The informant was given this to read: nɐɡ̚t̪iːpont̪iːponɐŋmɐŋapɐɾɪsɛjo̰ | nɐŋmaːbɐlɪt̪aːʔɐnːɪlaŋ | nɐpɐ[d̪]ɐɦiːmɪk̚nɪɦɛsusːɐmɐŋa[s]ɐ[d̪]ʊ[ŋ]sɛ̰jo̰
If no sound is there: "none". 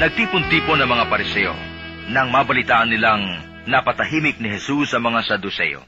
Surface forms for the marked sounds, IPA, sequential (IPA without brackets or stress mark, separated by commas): t̪, s, d̪, none